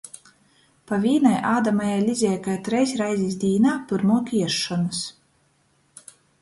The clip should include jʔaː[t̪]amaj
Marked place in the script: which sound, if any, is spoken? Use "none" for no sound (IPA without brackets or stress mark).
d̪